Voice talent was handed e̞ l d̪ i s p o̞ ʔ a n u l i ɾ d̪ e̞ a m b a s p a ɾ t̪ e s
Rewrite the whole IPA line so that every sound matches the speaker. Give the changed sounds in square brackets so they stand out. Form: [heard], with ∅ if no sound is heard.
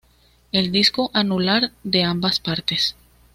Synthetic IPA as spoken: e̞ l d̪ i s [k] o̞ ʔ a n u l [a] ɾ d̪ e̞ a m b a s p a ɾ t̪ e s